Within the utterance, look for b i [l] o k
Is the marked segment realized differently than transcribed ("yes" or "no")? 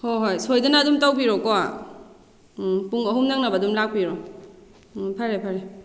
yes